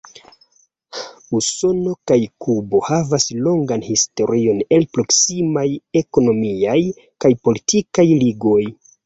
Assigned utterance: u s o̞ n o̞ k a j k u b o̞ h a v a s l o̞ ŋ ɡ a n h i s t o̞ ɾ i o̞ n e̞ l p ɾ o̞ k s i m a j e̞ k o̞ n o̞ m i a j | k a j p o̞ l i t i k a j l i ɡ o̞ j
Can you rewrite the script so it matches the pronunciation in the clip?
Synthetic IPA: u s o̞ n o̞ k a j k u b o̞ h a v a s l o̞ ŋ ɡ a n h i s t o̞ ɾ i o̞ n e̞ l p ɾ o̞ k s i m a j e̞ k o̞ n o̞ m i a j | k a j p o̞ l i t i k a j l i ɡ o̞ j